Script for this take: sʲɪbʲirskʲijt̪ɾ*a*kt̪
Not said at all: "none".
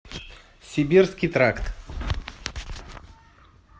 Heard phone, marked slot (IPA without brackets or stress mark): a